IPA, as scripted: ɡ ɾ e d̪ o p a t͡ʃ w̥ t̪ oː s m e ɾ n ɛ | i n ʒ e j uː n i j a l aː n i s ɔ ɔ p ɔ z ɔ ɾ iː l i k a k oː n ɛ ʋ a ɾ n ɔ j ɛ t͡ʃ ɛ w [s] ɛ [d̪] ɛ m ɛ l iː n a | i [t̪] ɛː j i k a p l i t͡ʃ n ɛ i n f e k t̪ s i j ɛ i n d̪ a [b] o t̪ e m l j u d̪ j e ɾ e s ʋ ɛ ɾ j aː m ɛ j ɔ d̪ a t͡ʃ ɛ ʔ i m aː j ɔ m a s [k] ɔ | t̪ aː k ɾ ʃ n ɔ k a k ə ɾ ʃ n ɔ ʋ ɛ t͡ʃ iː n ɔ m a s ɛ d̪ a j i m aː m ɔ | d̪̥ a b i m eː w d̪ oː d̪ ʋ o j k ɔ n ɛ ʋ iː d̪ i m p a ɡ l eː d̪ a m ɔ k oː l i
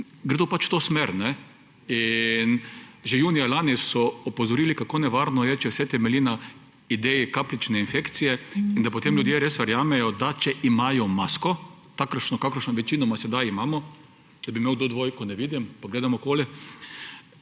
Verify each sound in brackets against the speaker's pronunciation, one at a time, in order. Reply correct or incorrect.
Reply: correct, incorrect: t̪, incorrect: d̪, incorrect: p, correct

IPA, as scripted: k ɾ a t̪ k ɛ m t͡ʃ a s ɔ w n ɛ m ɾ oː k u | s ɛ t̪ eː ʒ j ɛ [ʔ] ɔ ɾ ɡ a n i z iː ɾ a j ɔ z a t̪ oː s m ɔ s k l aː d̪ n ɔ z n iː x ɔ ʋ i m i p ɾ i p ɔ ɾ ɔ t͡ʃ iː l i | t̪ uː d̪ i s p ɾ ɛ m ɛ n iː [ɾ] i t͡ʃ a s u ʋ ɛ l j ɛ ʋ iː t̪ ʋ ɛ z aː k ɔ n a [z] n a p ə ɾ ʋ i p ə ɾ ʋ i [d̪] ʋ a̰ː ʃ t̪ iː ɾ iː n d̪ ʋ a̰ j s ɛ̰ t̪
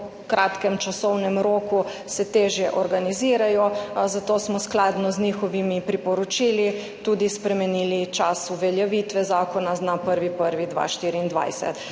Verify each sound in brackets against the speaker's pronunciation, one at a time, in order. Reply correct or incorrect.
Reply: correct, incorrect: l, correct, correct

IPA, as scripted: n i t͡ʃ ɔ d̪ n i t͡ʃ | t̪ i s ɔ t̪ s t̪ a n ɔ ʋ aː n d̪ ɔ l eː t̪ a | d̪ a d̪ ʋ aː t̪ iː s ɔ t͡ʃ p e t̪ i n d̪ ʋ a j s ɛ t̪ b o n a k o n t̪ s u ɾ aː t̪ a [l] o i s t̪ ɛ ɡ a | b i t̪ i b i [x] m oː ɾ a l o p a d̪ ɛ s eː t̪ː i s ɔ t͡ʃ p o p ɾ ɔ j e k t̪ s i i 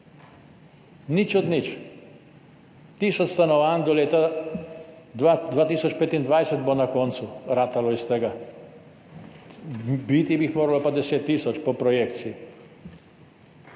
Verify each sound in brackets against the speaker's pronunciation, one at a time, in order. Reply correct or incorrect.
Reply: correct, correct

